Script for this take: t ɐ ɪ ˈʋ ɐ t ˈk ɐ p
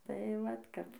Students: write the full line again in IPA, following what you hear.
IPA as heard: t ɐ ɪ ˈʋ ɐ t ˈk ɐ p